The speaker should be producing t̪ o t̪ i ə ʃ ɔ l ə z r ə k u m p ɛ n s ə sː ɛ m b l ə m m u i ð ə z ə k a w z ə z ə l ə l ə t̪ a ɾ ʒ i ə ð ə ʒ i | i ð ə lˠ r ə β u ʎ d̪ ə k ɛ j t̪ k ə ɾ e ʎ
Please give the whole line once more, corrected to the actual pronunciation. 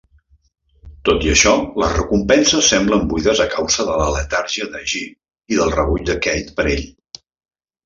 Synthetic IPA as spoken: t̪ o t̪ i ə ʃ ɔ l ə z r ə k u m p ɛ n s ə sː ɛ m b l ə m b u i ð ə z ə k a w z ə ð ə l ə l ə t̪ a ɾ ʒ i ə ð ə ʒ i | i ð ə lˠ r ə β u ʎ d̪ ə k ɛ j t̪ p ə ɾ e ʎ

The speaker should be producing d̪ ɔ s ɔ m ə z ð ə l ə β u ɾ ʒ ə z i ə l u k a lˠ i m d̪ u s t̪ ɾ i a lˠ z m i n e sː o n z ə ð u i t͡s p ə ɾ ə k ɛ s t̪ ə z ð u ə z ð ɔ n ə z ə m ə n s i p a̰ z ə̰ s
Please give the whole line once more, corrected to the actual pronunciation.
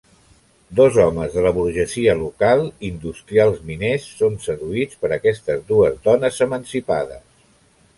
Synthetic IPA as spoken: d̪ ɔ z ɔ m ə z ð ə l ə β u ɾ ʒ ə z i ə l u k a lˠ i n d̪ u s t̪ ɾ i a lˠ z m i n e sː o n s ə ð u i t͡s p ə ɾ ə k ɛ s t̪ ə z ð u ə z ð ɔ n ə z ə m ə n s i p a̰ ð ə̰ s

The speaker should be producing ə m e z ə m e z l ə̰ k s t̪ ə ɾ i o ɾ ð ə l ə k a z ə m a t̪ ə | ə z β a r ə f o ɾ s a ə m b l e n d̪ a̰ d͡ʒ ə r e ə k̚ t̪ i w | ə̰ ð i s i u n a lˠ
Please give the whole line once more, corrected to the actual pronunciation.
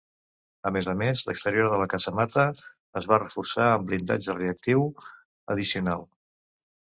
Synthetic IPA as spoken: ə m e z ə m e z l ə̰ k s t̪ ə ɾ i o ɾ ð ə l ə k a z ə m a t̪ ə | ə z β a r ə f u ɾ s a ə m b l i n d̪ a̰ d͡ʒ ə r e ə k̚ t̪ i w | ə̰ ð i s i u n a lˠ

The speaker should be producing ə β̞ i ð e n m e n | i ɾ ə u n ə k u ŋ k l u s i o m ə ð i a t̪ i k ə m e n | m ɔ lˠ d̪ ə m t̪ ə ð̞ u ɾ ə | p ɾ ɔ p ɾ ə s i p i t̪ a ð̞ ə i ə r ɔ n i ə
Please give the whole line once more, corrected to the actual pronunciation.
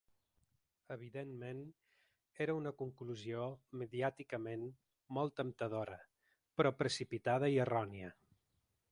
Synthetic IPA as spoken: ə β̞ i ð e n m e n | e ɾ ə u n ə k u ŋ k l u z i o m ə ð i a t̪ i k ə m e n | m ɔ lˠ t̪ ə m t̪ ə ð̞ o ɾ ə | p ɾ ɔ p ɾ ə s i p i t̪ a ð̞ ə i ə r ɔ n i ə

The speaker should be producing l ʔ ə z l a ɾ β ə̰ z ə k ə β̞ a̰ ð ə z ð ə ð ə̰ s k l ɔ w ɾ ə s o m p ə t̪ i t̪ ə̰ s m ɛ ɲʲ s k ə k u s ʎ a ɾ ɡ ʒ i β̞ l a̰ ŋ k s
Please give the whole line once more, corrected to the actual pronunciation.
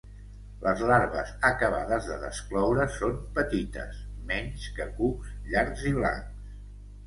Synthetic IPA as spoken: l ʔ ə z l a ɾ β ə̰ z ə k ə β̞ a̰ ð ə z ð ə ð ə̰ s k l ɔ w ɾ ə s o m p ə t̪ i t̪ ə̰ s m ɛ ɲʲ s k ə k u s ʎ a ɾ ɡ z i β̞ l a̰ ŋ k s

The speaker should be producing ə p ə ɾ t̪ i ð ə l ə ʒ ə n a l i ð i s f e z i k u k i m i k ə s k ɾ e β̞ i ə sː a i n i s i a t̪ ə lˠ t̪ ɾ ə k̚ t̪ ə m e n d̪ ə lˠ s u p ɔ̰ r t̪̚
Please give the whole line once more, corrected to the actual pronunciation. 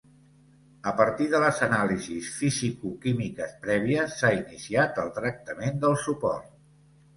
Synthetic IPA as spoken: ə p ə ɾ t̪ i ð ə l ə z ə n a l i z i s f i z i k u k i m i k ə s p ɾ ɛ β̞ i ə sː a i n i s i a t̪ ə lˠ t̪ ɾ ə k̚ t̪ ə m e n d̪ ə lˠ s u p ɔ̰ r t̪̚

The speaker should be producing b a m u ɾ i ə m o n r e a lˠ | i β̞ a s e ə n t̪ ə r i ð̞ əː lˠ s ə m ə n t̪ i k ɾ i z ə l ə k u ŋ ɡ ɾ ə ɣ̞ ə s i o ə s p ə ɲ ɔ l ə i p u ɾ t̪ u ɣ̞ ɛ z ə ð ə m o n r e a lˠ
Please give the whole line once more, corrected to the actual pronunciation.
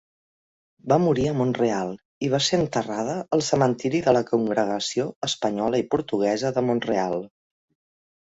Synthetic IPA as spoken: b a m u ɾ i ə m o n r e a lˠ | i β̞ a s e ə n t̪ ə r a ð̞ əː lˠ s ə m ə n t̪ i ɾ i ð ə l ə k u ŋ ɡ ɾ ə ɣ̞ ə s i o ə s p ə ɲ ɔ l ə i p u ɾ t̪ u ɣ̞ ɛ z ə ð ə m o n r e a lˠ

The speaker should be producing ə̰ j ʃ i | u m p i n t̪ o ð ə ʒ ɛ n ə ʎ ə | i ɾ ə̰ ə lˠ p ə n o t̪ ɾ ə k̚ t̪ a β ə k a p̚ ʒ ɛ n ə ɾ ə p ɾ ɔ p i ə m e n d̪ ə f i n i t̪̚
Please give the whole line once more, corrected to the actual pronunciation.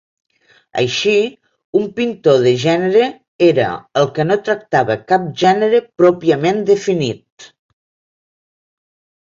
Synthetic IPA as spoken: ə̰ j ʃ i | u m p i n t̪ o ð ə ʒ ɛ n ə ɾ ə | e ɾ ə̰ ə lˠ k ə n o t̪ ɾ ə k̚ t̪ a β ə k a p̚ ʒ ɛ n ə ɾ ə p ɾ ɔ p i ə m e n d̪ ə f i n i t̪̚

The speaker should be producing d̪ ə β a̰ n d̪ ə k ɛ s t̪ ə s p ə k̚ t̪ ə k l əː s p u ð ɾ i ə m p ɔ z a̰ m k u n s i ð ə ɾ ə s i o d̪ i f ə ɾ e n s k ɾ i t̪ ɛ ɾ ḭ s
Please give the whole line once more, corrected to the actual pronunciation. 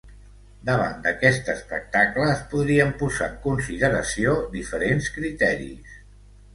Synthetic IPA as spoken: d̪ ə β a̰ n d̪ ə k ɛ s t̪ ə s p ə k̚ t̪ a k l əː s p u ð ɾ i ə m p u z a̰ ŋ k u n s i ð ə ɾ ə s i o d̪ i f ə ɾ e n s k ɾ i t̪ ɛ ɾ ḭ s

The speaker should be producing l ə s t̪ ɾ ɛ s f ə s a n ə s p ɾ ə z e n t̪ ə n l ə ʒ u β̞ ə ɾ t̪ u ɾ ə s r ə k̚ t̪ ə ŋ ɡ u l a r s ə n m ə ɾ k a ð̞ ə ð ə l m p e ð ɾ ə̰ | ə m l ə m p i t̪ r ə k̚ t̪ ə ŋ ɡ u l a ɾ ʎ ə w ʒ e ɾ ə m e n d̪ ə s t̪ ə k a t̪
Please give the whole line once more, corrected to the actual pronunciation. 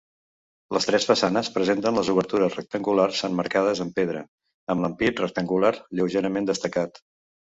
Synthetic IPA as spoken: l ə s t̪ ɾ ɛ s f ə s a n ə s p ɾ ə z e n t̪ ə n l ə z u β̞ ə ɾ t̪ u ɾ ə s r ə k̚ t̪ ə ŋ ɡ u l a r s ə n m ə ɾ k a ð̞ ə z ə m p e ð ɾ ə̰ | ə m l ə m p i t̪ r ə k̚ t̪ ə ŋ ɡ u l a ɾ ʎ ə w ʒ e ɾ ə m e n d̪ ə s t̪ ə k a t̪

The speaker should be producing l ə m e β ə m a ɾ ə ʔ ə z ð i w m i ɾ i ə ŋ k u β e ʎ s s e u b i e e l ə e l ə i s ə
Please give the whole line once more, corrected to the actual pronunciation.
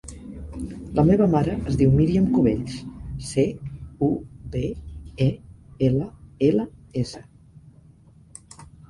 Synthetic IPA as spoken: l ə m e β ə m a ɾ ə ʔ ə z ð i w m i ɾ i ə m k u β e ʎ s s e u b e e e l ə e l ə e s ə

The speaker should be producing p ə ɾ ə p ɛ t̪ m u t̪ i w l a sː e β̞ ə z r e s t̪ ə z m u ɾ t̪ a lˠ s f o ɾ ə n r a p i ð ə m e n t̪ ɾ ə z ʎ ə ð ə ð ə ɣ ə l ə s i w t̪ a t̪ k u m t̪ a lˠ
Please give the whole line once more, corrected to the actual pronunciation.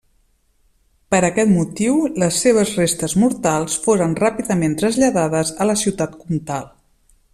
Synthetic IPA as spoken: p ə ɾ ə k ɛ t̪ m u t̪ i w l ə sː e β̞ ə z r e s t̪ ə z m u ɾ t̪ a lˠ s f o ɾ ə n r a p i ð ə m e n t̪ ɾ ə z ʎ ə ð a ð ə z ə l ə s i w t̪ a t̪ k u m t̪ a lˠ

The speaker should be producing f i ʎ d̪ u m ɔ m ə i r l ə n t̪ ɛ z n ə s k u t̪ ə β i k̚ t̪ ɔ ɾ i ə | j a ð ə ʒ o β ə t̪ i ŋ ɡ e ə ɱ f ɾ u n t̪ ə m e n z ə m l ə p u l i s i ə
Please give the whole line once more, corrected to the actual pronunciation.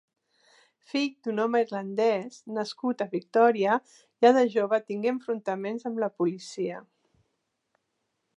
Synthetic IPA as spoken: f i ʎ d̪ u n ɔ m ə i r l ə n d̪ ɛ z n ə s k u t̪ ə β i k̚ t̪ ɔ ɾ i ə | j a ð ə ʒ o β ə t̪ i ŋ ɡ e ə ɱ f ɾ u n t̪ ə m e n z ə m l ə p u l i s i ə

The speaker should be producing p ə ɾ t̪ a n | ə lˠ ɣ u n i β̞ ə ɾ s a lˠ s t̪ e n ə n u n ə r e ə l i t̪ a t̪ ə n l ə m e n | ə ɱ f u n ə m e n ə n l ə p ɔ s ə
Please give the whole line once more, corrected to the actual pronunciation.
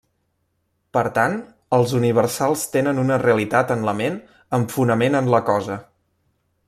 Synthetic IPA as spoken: p ə ɾ t̪ a n | ə lˠ z u n i β̞ ə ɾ s a lˠ s t̪ e n ə n u n ə r e ə l i t̪ a t̪ ə n l ə m e n | ə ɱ f u n ə m e n ə n l ə k ɔ z ə

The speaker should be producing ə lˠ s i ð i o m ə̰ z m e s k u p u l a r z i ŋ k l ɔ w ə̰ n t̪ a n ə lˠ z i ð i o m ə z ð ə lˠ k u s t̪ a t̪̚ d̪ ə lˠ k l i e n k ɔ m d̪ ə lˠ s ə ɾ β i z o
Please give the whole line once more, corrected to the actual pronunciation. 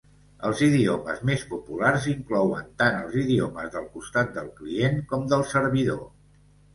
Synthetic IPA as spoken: ə lˠ z i ð i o m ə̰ z m e s p u p u l a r z i ŋ k l ɔ w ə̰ n t̪ a n ə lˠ z i ð i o m ə z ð ə lˠ k u s t̪ a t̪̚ d̪ ə lˠ k l i e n k ɔ m d̪ ə lˠ s ə ɾ β i ð o

